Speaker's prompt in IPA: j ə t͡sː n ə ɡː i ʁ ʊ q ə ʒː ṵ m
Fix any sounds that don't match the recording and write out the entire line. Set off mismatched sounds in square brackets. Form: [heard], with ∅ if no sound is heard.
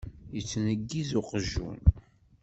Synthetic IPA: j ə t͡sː n ə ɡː i [z] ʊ q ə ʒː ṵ [n]